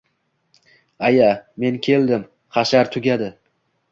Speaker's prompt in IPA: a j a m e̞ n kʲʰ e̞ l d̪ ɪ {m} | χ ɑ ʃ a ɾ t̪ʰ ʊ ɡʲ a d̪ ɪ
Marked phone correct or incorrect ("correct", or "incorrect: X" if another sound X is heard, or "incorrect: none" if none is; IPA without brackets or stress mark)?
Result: correct